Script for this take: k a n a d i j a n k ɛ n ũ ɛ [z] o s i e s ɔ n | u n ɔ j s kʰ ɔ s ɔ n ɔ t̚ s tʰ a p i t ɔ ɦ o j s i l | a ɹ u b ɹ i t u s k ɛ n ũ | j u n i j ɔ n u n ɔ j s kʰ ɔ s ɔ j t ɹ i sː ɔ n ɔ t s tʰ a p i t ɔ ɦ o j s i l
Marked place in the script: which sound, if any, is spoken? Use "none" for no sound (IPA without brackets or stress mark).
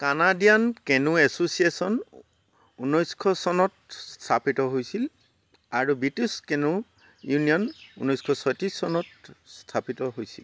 s